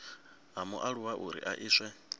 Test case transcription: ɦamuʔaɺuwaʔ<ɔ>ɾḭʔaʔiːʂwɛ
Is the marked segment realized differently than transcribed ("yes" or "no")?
yes